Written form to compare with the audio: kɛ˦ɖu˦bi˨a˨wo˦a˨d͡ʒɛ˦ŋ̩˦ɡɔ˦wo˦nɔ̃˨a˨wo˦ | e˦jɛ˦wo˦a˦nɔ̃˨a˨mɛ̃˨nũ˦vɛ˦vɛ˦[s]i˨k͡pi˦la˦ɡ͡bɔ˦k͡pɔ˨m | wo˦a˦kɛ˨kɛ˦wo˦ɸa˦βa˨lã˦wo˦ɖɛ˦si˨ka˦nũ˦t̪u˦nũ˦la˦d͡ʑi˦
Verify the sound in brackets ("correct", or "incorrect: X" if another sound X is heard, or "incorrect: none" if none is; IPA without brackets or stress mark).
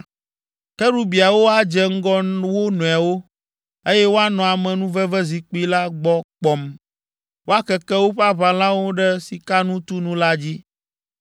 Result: incorrect: z